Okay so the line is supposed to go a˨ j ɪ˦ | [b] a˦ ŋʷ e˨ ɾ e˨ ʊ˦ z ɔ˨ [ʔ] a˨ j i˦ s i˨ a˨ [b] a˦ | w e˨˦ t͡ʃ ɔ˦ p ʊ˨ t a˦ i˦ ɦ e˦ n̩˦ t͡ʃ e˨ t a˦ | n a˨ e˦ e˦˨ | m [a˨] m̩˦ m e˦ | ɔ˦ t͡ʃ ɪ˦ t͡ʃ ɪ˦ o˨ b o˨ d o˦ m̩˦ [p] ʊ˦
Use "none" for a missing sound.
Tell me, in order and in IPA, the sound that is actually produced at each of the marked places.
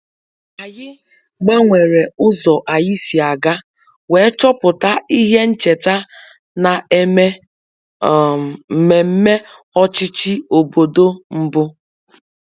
ɡ͡b, ʔ, ɡ, e˨, b

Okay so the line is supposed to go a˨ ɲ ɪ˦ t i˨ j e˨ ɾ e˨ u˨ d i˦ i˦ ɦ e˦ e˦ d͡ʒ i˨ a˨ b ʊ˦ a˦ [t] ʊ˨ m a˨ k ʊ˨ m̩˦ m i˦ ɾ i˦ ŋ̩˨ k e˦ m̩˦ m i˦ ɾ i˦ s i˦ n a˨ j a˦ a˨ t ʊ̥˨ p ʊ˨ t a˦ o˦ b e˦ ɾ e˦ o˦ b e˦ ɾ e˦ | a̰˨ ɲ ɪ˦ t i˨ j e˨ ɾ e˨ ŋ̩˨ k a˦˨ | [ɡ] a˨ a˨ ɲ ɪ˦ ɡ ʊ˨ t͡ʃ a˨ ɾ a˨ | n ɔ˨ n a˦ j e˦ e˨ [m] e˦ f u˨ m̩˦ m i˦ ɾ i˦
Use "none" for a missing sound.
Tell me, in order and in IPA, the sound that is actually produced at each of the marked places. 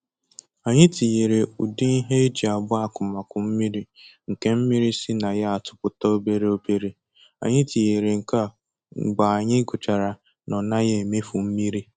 k, ɡ͡b, m

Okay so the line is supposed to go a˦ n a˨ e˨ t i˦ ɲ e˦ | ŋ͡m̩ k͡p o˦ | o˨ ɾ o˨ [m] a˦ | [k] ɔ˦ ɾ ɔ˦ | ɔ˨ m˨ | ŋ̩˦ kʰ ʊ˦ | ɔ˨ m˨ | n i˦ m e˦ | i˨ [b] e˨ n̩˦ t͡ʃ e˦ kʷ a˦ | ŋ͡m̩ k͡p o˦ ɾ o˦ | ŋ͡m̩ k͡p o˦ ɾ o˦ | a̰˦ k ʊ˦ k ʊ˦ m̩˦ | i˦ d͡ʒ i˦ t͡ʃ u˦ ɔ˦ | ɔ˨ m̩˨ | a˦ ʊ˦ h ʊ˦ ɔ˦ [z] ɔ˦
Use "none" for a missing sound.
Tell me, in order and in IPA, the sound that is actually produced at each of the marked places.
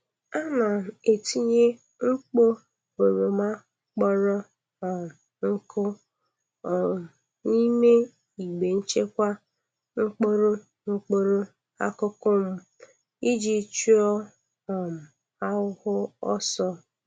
m, k͡p, ɡ͡b, s

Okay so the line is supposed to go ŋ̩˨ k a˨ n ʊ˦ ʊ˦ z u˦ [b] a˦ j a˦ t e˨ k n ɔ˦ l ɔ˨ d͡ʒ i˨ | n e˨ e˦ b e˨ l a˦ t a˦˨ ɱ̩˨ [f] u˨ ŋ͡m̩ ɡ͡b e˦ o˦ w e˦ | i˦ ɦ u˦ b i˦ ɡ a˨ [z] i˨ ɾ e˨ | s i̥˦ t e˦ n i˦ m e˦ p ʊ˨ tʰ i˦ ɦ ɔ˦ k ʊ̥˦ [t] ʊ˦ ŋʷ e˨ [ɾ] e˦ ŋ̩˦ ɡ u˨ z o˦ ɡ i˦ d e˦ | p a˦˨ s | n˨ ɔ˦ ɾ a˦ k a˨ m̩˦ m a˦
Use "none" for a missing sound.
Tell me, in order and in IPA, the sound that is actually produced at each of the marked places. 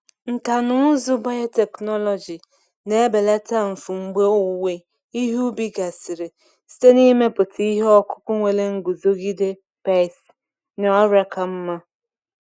b, f, s, k, l

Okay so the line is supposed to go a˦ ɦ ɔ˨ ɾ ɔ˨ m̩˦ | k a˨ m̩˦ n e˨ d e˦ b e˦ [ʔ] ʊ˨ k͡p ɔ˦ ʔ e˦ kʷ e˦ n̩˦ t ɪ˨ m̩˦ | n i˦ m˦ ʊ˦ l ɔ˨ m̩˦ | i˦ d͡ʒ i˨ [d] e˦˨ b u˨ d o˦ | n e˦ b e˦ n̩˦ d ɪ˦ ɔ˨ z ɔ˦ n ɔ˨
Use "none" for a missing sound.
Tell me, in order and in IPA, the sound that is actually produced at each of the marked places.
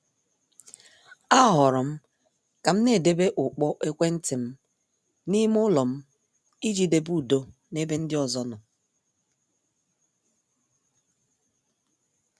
ʔ, d

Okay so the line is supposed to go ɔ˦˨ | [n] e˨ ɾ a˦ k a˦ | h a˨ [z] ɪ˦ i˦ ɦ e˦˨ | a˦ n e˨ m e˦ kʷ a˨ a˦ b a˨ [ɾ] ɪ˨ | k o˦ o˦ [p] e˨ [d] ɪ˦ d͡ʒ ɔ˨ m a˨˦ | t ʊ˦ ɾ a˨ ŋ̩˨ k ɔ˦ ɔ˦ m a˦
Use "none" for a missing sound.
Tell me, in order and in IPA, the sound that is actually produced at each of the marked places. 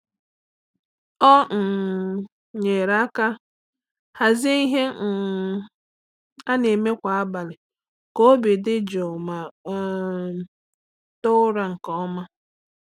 ɲ, z, l, b, d

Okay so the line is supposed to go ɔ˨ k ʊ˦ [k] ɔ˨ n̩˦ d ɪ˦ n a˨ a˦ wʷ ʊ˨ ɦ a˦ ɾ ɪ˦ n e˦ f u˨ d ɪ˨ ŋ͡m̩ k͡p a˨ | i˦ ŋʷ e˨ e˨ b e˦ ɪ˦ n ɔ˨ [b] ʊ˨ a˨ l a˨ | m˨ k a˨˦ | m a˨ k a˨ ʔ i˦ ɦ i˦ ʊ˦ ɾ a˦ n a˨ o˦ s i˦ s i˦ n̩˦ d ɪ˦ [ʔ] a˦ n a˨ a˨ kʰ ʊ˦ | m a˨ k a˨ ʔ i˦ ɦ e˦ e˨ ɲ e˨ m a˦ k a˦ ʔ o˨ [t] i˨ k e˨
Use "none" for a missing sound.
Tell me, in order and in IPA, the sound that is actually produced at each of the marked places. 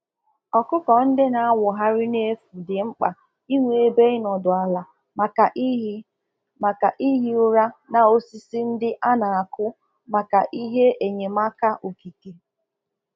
k, d, ʔ, k

